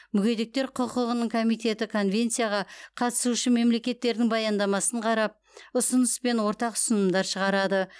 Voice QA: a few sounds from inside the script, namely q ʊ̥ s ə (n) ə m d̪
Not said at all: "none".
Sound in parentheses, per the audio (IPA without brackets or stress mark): n